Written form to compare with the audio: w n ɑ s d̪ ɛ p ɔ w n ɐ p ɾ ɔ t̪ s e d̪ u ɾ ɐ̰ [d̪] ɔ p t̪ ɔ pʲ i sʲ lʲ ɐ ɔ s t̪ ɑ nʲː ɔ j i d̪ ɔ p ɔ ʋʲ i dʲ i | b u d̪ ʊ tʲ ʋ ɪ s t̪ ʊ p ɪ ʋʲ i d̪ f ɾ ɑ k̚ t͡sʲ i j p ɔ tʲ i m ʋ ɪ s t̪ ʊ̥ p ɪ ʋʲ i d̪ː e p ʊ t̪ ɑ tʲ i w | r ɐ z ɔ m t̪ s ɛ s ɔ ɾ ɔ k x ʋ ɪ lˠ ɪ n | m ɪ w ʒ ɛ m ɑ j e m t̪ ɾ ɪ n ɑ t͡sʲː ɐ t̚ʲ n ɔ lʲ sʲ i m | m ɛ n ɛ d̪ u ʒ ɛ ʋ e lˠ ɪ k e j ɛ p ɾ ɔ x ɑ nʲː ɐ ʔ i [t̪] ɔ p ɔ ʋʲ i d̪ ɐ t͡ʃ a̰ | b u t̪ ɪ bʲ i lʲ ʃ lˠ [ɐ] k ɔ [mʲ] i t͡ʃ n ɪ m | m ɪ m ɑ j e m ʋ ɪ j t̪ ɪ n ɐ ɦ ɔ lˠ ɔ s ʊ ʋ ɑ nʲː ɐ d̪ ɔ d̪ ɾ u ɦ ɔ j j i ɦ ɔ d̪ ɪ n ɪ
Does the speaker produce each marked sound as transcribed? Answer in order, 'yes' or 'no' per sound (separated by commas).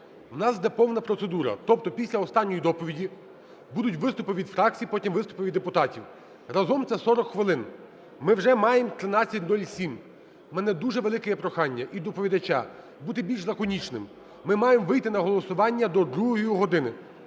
no, no, yes, no